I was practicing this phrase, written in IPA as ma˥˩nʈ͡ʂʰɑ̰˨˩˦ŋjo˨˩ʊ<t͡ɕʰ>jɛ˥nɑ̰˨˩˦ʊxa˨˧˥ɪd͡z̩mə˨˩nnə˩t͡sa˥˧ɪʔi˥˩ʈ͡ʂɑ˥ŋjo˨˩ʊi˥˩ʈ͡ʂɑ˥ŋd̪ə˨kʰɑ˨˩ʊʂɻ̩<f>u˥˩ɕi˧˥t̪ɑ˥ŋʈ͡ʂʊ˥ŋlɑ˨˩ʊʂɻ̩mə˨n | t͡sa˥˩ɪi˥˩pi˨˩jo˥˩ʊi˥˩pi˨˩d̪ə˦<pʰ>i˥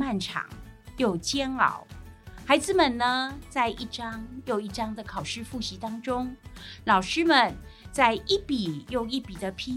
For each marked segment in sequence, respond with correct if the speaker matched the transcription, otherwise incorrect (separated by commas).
incorrect, correct, correct